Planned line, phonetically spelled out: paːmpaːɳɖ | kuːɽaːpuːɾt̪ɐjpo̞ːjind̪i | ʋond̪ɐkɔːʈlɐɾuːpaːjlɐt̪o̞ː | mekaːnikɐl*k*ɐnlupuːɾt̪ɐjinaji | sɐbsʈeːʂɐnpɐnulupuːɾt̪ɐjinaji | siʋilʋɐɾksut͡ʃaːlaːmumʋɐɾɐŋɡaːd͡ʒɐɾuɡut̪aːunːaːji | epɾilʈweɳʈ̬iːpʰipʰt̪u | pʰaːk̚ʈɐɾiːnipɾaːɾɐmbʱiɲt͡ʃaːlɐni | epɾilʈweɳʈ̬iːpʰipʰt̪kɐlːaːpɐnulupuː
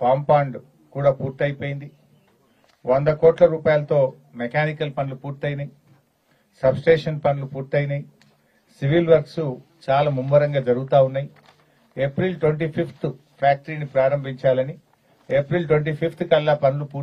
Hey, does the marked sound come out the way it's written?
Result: no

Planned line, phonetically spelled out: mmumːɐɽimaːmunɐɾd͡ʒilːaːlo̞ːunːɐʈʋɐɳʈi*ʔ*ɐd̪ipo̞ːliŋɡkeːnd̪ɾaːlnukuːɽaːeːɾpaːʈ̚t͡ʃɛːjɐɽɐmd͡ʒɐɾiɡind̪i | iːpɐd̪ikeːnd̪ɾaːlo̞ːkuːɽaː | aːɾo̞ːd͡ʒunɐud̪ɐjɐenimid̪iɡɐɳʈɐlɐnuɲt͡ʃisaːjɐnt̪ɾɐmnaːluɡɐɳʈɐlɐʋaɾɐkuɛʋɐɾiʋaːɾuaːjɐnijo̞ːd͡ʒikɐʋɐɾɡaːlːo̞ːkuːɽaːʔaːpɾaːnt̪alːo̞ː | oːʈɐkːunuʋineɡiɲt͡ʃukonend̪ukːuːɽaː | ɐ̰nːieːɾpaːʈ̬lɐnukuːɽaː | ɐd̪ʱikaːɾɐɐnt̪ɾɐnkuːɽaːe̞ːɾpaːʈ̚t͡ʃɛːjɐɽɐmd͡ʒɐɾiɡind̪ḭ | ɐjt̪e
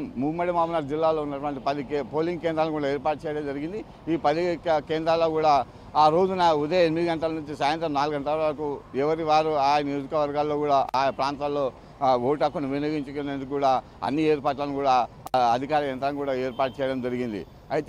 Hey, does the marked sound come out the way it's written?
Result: no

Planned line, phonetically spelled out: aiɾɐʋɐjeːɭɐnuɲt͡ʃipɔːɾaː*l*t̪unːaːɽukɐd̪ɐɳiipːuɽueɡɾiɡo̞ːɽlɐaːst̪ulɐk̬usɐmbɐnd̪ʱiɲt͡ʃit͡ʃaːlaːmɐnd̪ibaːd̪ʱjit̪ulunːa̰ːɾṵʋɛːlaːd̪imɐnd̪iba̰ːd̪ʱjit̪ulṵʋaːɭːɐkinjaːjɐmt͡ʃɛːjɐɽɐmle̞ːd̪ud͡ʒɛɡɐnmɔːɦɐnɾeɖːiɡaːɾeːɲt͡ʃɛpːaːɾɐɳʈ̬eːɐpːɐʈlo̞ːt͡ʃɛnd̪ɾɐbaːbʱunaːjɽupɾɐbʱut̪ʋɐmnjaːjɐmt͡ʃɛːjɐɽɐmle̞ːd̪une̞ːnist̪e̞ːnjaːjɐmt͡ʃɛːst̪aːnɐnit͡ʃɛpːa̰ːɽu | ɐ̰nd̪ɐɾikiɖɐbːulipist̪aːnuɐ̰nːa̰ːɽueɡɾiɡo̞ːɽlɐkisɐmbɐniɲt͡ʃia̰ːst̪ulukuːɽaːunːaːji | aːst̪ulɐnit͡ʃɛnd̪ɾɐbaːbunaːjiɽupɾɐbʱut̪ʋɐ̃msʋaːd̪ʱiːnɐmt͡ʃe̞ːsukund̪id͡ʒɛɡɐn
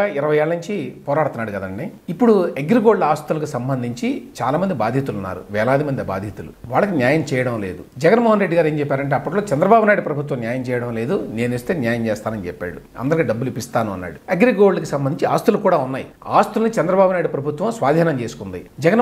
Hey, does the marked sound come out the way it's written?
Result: no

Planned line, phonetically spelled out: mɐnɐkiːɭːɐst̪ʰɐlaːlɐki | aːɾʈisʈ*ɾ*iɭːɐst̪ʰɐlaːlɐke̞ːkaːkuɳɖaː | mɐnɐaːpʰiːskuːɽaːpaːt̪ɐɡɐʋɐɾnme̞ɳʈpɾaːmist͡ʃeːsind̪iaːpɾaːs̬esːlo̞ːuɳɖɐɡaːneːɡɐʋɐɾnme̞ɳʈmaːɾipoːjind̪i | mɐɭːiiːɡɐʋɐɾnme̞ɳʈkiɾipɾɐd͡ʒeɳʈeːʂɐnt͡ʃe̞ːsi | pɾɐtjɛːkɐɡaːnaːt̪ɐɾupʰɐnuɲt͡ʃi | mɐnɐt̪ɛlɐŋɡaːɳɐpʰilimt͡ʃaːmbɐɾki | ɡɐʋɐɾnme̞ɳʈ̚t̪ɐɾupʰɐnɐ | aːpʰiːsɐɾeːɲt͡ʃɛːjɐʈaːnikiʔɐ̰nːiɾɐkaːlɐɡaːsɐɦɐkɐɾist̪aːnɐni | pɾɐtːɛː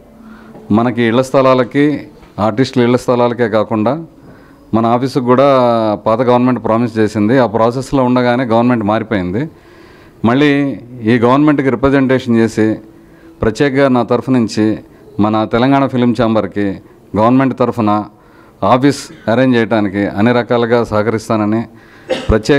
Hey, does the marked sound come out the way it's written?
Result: no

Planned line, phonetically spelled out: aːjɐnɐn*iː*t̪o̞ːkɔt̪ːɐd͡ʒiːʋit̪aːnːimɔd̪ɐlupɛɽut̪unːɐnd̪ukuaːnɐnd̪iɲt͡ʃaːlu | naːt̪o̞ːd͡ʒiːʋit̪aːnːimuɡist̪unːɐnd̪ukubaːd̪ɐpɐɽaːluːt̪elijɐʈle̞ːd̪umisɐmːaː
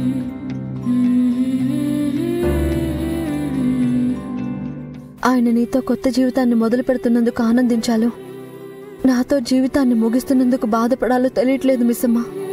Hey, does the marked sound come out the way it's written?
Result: yes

